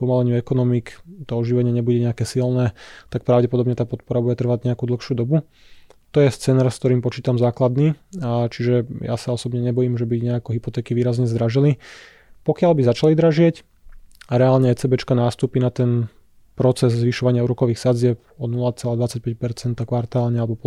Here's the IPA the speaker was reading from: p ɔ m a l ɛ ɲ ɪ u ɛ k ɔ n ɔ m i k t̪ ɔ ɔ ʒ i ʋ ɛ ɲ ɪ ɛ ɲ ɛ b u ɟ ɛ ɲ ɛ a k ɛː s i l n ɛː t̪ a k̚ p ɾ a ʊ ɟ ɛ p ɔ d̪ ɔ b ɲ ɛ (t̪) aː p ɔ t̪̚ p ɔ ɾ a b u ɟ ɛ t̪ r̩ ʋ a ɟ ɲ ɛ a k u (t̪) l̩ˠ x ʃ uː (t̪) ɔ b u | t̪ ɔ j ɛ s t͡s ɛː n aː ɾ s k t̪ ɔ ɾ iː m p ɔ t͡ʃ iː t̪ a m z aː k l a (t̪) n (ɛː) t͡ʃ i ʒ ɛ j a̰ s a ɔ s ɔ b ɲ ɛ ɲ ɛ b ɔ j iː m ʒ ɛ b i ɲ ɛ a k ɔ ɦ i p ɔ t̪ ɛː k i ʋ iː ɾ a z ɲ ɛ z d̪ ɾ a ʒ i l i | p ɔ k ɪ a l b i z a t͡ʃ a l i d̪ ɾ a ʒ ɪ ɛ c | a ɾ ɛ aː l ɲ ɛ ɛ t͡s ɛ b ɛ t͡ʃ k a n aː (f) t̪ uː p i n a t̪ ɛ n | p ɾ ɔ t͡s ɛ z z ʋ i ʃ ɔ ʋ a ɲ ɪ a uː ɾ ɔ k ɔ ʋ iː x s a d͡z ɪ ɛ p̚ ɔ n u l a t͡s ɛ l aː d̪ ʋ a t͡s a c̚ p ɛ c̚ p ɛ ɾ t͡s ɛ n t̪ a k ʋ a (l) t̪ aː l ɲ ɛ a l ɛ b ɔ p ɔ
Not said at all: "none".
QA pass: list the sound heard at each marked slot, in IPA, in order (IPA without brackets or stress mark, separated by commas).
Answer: t̪, d̪, d̪, d̪, iː, s, ɾ